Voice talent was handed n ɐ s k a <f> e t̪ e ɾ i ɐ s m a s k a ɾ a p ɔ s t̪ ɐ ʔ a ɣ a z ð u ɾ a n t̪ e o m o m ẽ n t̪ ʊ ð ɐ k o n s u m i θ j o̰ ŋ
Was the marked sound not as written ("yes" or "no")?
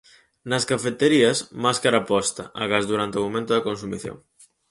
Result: no